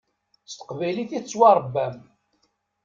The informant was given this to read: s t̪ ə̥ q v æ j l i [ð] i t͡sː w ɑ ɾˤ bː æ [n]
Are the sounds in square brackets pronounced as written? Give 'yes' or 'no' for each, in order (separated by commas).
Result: no, no